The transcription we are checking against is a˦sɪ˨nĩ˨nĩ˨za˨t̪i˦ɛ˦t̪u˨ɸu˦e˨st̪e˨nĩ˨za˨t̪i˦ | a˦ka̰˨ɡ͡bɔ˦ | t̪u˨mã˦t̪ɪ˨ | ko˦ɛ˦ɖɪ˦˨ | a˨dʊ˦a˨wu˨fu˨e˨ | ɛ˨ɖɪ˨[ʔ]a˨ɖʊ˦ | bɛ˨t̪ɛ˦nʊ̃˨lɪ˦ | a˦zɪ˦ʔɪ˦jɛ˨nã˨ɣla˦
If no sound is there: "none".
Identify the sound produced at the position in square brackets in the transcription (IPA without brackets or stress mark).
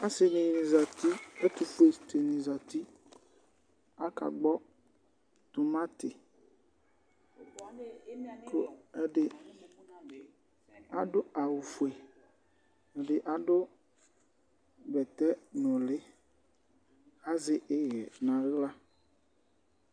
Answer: ʔ